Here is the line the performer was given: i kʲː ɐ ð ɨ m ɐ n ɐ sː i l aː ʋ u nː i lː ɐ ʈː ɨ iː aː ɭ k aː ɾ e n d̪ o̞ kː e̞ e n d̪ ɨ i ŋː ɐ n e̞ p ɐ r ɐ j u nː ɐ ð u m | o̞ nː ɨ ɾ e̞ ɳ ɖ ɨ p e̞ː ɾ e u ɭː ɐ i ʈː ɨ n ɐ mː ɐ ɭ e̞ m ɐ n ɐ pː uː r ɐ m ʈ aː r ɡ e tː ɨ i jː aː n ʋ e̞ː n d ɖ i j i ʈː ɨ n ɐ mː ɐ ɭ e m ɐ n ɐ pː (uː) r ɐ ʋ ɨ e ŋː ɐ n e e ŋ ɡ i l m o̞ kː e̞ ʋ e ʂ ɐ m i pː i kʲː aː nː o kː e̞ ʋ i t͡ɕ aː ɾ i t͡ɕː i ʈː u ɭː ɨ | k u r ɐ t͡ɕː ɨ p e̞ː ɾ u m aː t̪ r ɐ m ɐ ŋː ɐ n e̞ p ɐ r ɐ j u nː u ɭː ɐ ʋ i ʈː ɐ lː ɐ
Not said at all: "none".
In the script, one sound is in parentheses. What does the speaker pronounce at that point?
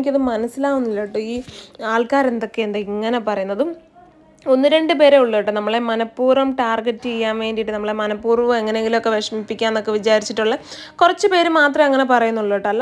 uː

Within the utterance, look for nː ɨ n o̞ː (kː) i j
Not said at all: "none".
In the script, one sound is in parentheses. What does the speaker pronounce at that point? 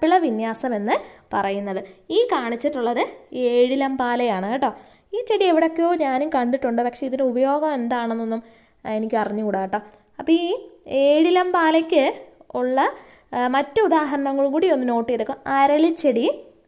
ʈː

